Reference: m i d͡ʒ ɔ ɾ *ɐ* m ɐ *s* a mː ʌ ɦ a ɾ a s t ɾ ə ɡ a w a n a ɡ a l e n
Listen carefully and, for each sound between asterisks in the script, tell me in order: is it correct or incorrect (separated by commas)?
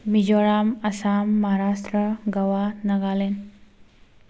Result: incorrect, correct